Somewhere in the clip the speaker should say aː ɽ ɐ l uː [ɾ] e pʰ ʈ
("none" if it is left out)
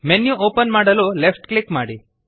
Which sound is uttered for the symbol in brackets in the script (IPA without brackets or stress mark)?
l